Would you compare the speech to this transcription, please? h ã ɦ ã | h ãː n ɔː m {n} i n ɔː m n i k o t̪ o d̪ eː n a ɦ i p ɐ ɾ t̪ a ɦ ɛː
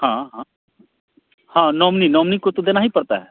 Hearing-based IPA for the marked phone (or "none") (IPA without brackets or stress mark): n